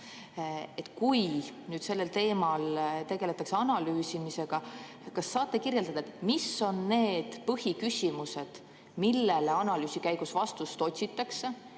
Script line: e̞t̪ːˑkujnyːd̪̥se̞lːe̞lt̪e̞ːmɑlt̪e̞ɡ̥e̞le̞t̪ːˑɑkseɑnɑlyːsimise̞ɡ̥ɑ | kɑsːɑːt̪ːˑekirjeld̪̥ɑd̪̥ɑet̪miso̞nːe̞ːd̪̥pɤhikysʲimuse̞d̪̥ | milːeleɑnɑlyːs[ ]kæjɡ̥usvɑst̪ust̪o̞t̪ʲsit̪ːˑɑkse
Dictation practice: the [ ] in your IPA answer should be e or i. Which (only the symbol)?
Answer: i